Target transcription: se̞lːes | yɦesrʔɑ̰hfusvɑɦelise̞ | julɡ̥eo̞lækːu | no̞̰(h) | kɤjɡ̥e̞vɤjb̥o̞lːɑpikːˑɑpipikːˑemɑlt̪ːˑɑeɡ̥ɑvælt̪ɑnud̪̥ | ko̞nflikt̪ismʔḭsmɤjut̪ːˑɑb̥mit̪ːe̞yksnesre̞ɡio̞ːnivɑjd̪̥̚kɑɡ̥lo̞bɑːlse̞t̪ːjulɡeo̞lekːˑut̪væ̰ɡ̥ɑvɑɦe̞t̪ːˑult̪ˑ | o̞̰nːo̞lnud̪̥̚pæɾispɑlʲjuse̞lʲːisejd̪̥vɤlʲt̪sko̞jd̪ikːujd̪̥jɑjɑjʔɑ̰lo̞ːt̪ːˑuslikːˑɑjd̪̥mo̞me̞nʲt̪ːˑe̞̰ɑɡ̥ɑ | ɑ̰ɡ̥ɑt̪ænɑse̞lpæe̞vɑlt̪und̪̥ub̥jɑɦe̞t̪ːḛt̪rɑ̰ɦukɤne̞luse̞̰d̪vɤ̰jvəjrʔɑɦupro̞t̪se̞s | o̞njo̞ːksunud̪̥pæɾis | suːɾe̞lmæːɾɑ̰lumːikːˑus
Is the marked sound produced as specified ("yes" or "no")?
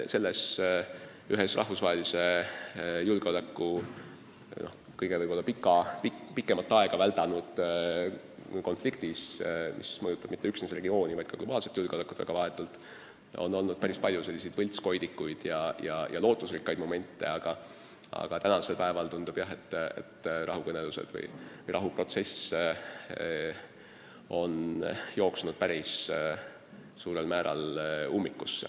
yes